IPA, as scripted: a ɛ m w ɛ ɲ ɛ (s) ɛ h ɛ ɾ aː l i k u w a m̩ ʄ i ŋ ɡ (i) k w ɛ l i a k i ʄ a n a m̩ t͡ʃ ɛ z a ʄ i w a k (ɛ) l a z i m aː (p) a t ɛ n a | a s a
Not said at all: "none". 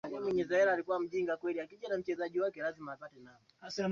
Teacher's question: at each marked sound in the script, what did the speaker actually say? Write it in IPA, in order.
z, a, ɛ, p

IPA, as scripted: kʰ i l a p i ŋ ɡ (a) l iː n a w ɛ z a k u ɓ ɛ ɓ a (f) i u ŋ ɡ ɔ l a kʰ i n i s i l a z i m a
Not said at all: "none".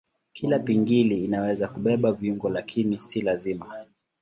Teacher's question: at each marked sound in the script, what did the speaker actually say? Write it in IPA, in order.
i, v

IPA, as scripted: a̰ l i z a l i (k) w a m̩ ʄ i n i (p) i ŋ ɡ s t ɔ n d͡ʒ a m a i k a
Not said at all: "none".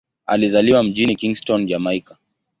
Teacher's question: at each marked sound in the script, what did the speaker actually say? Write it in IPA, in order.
none, k

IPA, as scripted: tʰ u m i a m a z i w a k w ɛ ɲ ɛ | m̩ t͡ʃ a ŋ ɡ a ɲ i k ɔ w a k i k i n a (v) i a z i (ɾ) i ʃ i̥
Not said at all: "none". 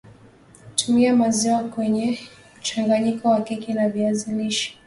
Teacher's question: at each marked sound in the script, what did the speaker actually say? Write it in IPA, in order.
v, l

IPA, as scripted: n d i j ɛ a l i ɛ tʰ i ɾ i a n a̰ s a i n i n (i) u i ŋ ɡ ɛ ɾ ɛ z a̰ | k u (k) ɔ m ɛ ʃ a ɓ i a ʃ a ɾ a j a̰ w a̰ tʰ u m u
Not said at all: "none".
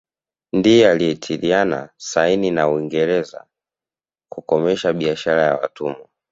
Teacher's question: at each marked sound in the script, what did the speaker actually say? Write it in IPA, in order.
a, k

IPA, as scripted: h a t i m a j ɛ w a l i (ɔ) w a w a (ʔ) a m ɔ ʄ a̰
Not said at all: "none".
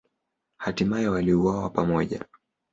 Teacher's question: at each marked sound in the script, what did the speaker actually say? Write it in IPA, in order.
u, p

